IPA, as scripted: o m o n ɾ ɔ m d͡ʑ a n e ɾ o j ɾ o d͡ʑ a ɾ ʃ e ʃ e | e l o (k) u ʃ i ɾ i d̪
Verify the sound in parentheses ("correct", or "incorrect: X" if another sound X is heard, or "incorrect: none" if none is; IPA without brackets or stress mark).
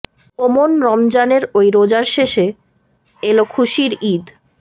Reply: incorrect: kʰ